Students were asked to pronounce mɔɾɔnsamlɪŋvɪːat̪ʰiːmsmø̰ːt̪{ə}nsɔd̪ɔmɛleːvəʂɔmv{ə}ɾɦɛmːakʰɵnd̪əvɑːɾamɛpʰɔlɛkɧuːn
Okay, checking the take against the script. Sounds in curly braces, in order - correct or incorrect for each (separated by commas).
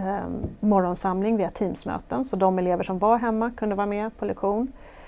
correct, incorrect